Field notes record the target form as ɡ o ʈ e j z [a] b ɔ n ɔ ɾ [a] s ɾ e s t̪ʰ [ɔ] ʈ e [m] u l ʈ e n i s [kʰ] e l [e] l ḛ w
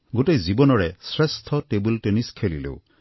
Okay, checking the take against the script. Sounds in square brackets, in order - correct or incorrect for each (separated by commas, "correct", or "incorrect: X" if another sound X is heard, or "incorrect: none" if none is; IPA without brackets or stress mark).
incorrect: i, incorrect: e, correct, incorrect: b, correct, incorrect: i